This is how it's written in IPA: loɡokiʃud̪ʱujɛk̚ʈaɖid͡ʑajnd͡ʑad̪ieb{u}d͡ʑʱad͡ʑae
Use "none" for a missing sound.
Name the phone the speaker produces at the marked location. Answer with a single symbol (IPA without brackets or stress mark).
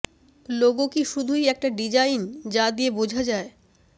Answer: o